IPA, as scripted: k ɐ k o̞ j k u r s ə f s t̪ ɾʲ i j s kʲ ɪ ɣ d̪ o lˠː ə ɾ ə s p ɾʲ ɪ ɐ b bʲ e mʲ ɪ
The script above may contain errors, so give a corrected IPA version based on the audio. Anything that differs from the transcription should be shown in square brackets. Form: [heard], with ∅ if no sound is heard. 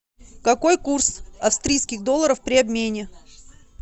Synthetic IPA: k ɐ k o̞ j k u r s [ɐ] f s t̪ ɾʲ i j s kʲ ɪ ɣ d̪ o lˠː ə ɾ ə [f] p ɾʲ ɪ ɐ b [mʲ] e [nʲ] ɪ